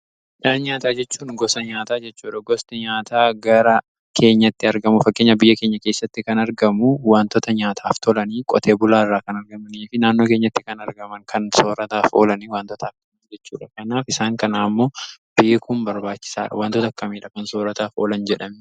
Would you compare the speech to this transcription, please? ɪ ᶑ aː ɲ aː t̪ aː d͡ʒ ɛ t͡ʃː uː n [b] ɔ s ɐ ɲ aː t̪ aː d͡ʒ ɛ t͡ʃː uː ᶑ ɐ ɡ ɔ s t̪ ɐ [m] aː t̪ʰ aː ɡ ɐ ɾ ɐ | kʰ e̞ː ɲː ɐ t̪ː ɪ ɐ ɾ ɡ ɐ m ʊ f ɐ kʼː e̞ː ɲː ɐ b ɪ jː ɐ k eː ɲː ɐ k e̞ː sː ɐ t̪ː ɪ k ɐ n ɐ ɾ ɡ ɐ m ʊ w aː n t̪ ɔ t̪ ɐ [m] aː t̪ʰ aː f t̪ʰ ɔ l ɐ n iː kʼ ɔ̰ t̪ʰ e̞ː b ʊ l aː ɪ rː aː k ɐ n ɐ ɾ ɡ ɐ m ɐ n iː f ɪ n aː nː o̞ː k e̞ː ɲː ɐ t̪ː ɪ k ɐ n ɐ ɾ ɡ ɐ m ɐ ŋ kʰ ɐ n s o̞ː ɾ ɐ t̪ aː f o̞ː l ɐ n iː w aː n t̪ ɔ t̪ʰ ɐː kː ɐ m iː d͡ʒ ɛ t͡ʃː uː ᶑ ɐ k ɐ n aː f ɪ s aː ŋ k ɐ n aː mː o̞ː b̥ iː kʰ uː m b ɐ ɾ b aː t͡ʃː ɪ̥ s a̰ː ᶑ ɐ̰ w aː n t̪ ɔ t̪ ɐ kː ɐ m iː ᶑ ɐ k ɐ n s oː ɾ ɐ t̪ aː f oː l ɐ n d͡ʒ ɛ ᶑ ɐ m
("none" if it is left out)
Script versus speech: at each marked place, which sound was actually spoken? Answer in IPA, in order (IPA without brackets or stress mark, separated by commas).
ɡ, ɲ, ɲ